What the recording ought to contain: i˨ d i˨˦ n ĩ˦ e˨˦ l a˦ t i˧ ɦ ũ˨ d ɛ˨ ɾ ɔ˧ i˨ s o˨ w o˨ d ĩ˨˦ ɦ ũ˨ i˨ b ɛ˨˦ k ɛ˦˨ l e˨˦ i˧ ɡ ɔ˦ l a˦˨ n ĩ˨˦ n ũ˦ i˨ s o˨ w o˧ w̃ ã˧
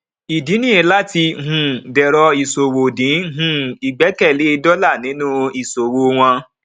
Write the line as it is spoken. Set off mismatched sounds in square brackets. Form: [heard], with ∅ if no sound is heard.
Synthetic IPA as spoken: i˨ d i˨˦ n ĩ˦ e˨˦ l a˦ t i˧ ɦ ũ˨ d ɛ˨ ɾ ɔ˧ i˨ s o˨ w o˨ d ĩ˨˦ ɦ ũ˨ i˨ [ɡ͡b] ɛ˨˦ k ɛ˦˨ l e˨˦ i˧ [d] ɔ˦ l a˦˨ n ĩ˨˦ n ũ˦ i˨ s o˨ w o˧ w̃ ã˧